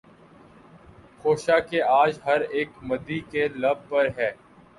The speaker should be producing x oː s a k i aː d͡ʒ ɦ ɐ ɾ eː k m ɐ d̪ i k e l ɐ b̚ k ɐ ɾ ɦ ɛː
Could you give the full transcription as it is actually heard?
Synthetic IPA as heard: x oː ʃ a k e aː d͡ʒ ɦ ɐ ɾ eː k m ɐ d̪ i k e l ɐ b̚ p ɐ ɾ ɦ ɛː